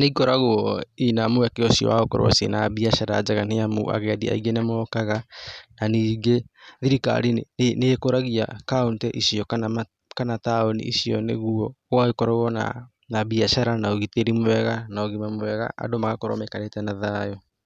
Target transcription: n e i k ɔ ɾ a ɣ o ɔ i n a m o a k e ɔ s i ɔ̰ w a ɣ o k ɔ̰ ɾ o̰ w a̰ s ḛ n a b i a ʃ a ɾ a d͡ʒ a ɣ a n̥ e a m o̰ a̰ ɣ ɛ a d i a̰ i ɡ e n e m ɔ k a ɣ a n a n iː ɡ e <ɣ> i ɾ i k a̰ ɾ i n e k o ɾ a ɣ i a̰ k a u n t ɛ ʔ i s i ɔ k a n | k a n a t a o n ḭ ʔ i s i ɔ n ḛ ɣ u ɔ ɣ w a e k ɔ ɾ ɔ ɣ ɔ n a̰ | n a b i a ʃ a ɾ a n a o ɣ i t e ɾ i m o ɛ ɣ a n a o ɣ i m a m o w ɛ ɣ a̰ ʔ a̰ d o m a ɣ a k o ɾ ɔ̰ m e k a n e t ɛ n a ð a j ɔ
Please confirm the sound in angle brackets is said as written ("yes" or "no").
no